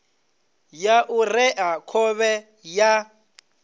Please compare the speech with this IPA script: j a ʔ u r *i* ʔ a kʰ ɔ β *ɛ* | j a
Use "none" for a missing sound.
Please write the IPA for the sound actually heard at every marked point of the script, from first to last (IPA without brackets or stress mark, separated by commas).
ɛ, ɛ